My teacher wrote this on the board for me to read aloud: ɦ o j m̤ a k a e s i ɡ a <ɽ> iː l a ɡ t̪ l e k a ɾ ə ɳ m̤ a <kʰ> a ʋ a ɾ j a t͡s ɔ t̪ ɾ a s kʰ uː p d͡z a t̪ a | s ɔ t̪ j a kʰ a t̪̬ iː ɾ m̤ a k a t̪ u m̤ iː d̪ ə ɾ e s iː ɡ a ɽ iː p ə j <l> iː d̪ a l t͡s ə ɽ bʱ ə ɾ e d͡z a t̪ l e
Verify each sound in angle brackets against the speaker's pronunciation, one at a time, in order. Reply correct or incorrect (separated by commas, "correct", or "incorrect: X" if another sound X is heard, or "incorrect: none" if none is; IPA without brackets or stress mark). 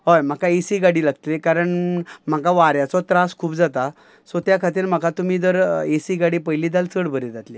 correct, incorrect: k, correct